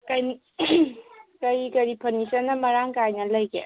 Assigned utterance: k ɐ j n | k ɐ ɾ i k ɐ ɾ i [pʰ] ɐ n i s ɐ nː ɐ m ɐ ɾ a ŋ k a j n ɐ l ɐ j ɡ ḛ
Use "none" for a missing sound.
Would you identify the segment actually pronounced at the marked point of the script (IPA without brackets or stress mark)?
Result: pʰ